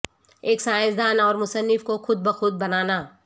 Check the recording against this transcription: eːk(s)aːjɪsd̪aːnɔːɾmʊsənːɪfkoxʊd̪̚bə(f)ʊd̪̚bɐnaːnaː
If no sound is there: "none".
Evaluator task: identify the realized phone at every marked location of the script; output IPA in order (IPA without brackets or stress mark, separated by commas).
s, x